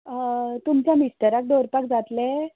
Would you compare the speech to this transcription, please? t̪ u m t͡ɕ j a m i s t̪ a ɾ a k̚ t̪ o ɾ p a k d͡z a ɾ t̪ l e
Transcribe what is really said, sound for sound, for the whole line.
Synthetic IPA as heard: t̪ u m t͡ɕ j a m i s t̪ ə ɾ a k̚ d̪ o ɾ p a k d͡z a t̪ l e